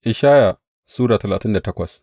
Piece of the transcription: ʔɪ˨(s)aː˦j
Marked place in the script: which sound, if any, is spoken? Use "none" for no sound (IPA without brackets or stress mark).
ʃ